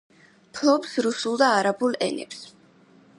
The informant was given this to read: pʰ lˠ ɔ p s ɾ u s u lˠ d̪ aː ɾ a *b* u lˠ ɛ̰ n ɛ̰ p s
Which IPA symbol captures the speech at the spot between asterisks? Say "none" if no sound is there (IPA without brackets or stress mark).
b